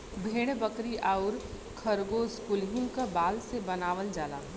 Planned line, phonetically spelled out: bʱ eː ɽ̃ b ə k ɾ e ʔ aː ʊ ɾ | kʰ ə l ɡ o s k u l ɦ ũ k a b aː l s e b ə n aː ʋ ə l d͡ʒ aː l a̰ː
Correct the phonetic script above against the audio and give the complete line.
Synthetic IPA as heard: bʱ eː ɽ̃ b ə k ɾ i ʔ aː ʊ ɾ | kʰ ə ɾ ɡ o s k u l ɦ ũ k a b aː l s e b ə n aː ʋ ə l d͡ʒ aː l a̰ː